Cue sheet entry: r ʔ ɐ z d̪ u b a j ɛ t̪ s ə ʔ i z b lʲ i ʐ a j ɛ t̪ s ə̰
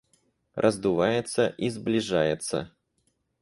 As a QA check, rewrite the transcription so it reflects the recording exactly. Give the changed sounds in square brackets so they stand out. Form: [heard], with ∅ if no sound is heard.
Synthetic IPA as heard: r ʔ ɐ z d̪ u [v] a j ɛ t̪ s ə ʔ i z b lʲ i ʐ a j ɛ t̪ s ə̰